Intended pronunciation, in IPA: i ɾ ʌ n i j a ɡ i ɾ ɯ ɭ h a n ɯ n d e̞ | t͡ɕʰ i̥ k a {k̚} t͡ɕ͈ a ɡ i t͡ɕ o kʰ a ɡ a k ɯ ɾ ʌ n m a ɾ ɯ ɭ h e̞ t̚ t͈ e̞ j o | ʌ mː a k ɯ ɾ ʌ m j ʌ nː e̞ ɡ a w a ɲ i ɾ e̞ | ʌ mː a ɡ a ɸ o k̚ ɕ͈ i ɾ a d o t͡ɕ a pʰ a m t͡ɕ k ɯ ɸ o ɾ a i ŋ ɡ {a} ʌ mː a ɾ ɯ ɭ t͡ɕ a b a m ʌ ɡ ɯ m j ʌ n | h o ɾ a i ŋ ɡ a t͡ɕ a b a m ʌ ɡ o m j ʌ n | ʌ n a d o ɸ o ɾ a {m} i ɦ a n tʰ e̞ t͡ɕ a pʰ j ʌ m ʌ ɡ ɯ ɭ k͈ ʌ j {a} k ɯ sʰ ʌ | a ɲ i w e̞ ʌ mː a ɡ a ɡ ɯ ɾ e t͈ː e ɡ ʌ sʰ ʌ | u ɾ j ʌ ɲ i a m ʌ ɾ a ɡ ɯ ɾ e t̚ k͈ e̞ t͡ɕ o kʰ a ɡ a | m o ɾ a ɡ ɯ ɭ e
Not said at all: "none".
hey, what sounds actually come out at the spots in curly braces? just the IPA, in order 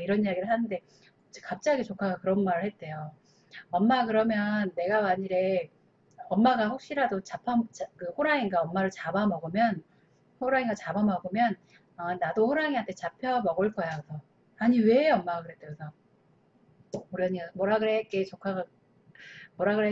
p̚, a, ŋ, a

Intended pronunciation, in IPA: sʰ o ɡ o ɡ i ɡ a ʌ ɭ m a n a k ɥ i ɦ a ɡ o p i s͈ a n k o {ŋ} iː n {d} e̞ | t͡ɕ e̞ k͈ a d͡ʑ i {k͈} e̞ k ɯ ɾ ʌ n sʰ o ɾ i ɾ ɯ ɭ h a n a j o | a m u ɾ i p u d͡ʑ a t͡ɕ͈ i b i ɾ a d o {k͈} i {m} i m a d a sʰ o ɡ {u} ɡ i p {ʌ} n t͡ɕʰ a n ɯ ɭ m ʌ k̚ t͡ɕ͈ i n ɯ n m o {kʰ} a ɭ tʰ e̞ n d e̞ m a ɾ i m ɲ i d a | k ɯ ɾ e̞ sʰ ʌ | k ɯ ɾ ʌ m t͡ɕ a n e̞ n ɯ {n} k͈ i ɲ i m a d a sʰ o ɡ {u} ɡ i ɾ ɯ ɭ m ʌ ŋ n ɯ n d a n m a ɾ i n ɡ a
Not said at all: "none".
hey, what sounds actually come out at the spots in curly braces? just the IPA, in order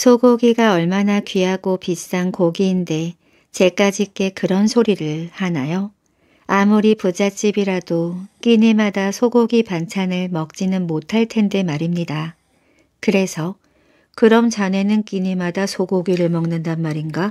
ɡ, d, k͈, k͈, ɲ, o, a, tʰ, n, o

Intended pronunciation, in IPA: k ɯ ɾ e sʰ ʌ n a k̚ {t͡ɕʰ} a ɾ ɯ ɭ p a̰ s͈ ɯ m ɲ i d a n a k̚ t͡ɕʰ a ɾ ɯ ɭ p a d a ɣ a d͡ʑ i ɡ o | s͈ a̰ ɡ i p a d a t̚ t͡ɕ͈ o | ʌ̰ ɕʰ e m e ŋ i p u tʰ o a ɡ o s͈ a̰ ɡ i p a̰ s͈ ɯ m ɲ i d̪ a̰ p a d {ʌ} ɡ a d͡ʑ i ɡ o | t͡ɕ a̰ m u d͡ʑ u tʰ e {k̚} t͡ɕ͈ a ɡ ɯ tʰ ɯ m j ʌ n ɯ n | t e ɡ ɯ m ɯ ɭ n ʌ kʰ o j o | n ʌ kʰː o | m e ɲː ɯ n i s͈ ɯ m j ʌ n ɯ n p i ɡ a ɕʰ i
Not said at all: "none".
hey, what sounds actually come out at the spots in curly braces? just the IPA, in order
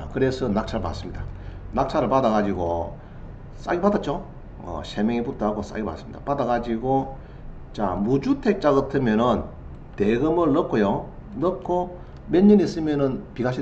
t͡ɕʰ, a, k̚

